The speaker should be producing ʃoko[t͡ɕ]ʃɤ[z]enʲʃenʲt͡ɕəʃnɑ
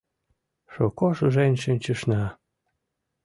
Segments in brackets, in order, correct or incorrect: incorrect, incorrect

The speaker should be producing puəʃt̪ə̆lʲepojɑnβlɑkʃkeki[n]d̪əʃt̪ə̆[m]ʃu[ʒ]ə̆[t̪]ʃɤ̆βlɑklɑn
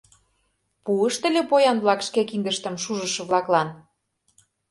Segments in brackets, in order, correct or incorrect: correct, correct, correct, incorrect

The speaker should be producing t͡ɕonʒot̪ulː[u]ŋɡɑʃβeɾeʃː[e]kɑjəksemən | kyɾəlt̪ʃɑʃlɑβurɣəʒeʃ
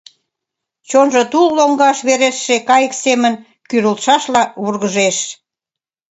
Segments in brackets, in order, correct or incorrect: incorrect, correct

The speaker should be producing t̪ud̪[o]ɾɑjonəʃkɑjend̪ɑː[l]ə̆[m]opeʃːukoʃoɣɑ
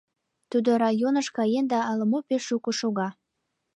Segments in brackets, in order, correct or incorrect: correct, correct, correct

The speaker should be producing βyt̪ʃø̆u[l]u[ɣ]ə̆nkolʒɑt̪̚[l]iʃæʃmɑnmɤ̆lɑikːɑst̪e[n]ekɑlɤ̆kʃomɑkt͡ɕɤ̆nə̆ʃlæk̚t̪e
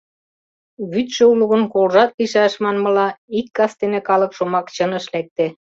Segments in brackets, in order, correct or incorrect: correct, correct, correct, correct

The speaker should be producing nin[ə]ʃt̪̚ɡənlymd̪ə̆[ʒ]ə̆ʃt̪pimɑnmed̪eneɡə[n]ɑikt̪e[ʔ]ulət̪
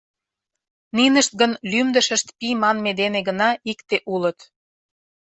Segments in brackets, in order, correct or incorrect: correct, incorrect, correct, correct

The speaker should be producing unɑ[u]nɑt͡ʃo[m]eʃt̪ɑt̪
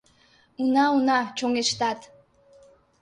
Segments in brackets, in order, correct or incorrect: correct, incorrect

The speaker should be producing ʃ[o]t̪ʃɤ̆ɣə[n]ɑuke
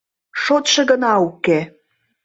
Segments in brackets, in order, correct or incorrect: correct, correct

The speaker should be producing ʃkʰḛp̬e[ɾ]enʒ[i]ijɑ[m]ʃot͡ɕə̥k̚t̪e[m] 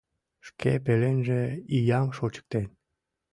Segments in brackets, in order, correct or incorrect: incorrect, incorrect, correct, incorrect

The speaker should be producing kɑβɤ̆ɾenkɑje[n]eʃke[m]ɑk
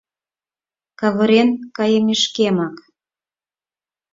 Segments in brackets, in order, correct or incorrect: incorrect, correct

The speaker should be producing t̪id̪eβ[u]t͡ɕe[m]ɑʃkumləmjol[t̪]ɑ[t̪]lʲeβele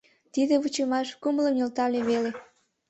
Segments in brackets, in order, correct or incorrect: correct, correct, correct, incorrect

